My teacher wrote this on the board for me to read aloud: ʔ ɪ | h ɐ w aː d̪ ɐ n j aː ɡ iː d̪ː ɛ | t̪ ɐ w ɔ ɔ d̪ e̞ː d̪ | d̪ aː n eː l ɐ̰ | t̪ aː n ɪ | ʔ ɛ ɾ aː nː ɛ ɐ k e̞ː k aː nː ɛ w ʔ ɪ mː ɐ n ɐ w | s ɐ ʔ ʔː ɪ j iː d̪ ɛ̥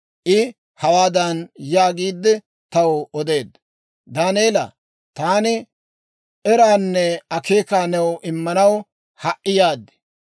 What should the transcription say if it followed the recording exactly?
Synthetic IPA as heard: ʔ ɪ | h ɐ w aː d̪ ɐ n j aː ɡ iː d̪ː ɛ | t̪ ɐ w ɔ ɔ d̪ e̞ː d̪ | d̪ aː n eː l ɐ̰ | t̪ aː n ɪ | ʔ ɛ ɾ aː nː ɛ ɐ k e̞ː k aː n ɛ w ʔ ɪ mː ɐ n ɐ w | h ɐ ʔ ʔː ɪ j aː d̪ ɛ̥